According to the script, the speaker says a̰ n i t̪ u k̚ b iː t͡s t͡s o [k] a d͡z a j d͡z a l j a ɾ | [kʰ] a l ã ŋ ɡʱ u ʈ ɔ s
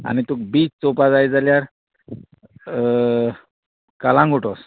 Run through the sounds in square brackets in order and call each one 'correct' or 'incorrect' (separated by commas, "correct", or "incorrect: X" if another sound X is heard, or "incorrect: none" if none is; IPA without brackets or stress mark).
incorrect: p, incorrect: k